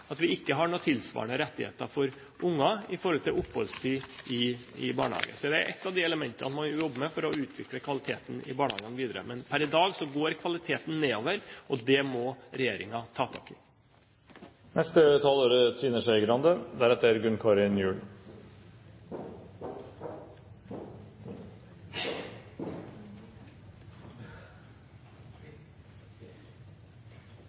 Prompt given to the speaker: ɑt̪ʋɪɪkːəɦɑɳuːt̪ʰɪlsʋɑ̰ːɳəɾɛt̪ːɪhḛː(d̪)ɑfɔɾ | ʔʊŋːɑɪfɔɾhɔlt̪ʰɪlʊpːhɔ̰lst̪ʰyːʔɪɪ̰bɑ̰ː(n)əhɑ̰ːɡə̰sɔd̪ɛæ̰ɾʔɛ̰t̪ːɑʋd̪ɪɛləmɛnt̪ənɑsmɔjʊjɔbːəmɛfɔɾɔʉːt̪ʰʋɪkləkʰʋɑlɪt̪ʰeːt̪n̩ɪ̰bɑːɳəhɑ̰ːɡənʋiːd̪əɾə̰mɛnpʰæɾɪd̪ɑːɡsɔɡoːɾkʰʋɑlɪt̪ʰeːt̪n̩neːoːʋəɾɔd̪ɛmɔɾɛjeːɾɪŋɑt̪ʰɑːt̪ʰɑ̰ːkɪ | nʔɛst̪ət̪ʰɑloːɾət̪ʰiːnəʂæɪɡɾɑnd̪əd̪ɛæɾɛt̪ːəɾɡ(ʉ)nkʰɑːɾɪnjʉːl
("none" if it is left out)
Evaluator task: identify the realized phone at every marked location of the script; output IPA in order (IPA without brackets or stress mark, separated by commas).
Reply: t̪, ɳ, ʉ